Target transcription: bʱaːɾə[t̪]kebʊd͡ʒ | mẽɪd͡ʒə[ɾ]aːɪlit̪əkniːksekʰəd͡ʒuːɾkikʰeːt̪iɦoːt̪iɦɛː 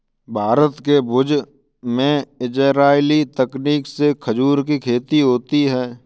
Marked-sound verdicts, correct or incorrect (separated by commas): correct, correct